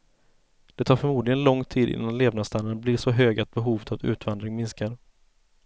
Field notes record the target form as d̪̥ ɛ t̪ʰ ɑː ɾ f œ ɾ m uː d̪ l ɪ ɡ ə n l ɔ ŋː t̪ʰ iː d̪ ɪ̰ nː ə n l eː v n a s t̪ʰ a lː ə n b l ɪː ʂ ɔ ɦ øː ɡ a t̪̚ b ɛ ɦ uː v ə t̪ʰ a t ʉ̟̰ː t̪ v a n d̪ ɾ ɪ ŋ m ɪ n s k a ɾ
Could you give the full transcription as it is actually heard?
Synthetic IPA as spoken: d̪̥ ɛ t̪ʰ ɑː ɾ f œ ɾ m uː d̪ l ɪ ɡ ə n l ɔ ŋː t̪ʰ iː d̪ ɪ̰ nː a n l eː v n a s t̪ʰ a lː ə n b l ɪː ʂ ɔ ɦ øː ɡ a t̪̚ b ɛ ɦ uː v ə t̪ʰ a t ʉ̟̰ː t̪ v a n d̪ ɾ ɪ ŋ m ɪ n s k a ɾ

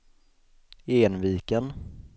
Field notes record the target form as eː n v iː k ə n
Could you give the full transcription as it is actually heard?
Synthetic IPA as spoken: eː n v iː k ə n

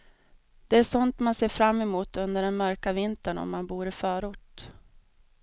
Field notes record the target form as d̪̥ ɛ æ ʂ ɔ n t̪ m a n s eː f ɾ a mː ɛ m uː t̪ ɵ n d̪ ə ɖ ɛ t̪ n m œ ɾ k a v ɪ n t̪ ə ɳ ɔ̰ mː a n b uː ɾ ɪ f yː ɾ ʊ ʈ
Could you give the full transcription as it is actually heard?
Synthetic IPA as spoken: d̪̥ ɛ æ ʂ ɔ n t̪ m a n s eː f ɾ a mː ɛ m uː t̪ ɵ n d̪ ə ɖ ɛ n m œ ɾ k a v ɪ n t̪ ə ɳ ɔ̰ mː a n b uː ɾ ɪ f œː ɾ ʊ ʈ

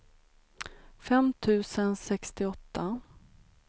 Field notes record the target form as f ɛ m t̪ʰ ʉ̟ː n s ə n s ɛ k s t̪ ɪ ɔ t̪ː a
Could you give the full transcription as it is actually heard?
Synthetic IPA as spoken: f ɛ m t̪ʰ ʉ̟ː s ə n s ɛ k s t̪ ɪ ɔ t̪ː a

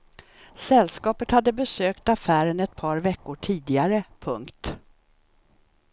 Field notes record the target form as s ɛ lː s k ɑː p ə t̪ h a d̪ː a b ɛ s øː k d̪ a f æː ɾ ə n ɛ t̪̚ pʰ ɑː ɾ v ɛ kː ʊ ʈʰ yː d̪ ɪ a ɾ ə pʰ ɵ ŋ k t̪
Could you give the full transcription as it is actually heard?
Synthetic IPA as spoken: s ɛ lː s k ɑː p ə t̪ h a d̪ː ə b ɛ s øː k t̪ a f æː ɾ ə n ɛ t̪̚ pʰ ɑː ɾ v ɛ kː ʊ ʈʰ iː d̪ ɪ a ɾ ə pʰ ɵ ŋ k t̪

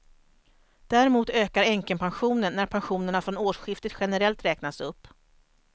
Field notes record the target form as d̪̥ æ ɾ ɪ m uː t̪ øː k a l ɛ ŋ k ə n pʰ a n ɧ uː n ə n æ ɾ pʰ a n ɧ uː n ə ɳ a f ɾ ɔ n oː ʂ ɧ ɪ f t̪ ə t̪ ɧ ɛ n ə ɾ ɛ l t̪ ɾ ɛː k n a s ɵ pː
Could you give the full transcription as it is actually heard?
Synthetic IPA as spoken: d̪̥ æ ɾ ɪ m uː t̪ øː k a ɾ ɛ ŋ k ə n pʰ a n ɧ uː n ə nː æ ɾ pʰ a n ɧ uː n ə ɳ a f ɾ ɔ n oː ʂ ɧ ɪ f t̪ ə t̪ ɧ ɛ n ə ɾ ɛ l t̪ ɾ ɛː k n a s ɵ pː

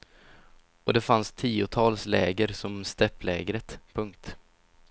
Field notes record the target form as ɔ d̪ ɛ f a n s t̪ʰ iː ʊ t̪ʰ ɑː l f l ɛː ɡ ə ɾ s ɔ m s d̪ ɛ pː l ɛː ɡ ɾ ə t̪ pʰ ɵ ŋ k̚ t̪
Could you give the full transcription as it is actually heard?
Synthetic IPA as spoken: ɔ d̪ ɛ f a n s t̪ʰ iː ʊ t̪ʰ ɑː l s l ɛː ɡ ə ɾ s ɔ m s t̪ ɛ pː l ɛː ɡ ɾ ə t̪ pʰ ɵ ŋ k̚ t̪

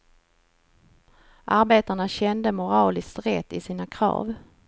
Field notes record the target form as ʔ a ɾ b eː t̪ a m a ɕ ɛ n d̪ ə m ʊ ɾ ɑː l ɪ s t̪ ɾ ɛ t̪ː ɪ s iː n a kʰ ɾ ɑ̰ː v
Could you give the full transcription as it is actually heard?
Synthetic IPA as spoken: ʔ a ɾ b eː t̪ a ɳ a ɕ ɛ n d̪ ə m ʊ ɾ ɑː l ɪ s t̪ ɾ ɛ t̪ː ɪ s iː n a kʰ ɾ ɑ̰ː v

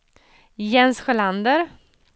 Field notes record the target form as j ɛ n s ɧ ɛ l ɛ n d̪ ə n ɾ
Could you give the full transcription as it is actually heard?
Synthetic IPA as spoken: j ɛ n s ɧ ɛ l a n d̪ ə ɾ

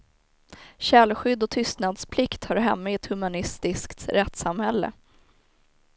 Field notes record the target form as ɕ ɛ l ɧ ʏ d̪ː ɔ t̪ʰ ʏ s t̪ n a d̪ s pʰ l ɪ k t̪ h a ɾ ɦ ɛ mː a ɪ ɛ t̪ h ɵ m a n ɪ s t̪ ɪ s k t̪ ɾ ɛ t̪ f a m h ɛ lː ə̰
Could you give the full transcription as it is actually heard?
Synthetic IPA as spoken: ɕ ɛ l ɧ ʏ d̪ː ɔ t̪ʰ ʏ s t̪ n a d̪ s pʰ l ɪ k t̪ h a ɾ ɦ ɛ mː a ɪ ɛ t̪ h ɵ m a n ɪ s t̪ ɪ s k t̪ ɾ ɛ t̪ s a m h ɛ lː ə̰

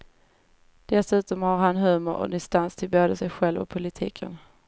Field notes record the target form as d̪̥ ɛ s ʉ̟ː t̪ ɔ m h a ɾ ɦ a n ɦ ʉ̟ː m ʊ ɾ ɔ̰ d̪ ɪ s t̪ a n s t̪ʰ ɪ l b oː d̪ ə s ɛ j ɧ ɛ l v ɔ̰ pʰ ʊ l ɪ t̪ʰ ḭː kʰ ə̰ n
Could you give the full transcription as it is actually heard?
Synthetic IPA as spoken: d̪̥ ɛ s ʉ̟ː t̪ ɔ m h a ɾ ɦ a n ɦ ʉ̟ː m ʊ ɾ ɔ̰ d̪ ɪ s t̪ a n s t̪ʰ ɪ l b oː d̪ ə s ɛ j ɧ ɛ l v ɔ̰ pʰ ʊ l ɪ t̪ʰ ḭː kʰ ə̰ n

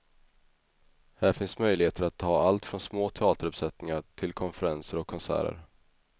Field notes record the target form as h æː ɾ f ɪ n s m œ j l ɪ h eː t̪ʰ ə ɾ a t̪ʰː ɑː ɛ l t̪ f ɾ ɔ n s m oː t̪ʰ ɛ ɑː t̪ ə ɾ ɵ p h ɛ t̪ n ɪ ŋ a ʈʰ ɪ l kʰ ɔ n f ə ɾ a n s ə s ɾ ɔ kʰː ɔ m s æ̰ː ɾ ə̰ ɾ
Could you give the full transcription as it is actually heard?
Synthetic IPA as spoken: h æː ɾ f ɪ n s m œ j l ɪ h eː t̪ ə ɾ a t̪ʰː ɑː a l t̪ f ɾ ɔ n s m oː t̪ʰ ɛ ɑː t̪ ə ɾ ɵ p s ɛ t̪ n ɪ ŋ a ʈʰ ɪ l kʰ ɔ n f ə ɾ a n s ə ɾ ɔ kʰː ɔ n s æ̰ː ɾ ə̰ ɾ

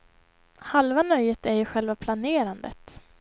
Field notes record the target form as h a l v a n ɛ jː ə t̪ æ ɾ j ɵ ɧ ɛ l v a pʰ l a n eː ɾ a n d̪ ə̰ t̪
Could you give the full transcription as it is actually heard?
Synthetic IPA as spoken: h a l v a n œ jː ə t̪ æ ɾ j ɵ ɧ ɛ l v a pʰ l a n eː ɾ a n d̪ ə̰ t̪

